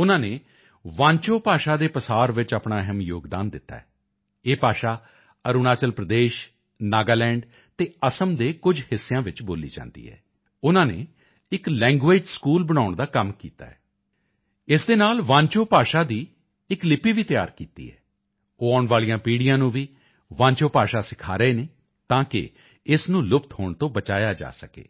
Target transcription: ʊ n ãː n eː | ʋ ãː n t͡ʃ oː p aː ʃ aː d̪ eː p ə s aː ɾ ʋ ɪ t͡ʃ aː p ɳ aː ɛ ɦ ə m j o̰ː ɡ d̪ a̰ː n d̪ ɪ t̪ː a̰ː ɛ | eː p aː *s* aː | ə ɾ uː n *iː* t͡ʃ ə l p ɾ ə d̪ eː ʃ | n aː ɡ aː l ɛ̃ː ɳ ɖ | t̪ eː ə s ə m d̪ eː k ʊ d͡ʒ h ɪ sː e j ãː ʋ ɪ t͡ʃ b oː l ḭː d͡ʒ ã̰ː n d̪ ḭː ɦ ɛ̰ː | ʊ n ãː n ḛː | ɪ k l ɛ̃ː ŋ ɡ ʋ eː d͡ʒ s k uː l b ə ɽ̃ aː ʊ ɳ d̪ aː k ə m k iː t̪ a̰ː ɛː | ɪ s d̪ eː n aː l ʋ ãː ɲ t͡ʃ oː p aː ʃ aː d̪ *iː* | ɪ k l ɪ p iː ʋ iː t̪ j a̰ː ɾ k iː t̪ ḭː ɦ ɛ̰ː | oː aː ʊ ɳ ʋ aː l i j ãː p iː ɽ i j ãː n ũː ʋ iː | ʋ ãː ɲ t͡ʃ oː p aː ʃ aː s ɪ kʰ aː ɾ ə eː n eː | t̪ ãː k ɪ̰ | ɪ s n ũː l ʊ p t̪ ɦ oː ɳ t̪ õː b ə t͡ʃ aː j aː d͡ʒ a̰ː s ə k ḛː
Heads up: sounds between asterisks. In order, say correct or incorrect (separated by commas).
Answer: incorrect, incorrect, correct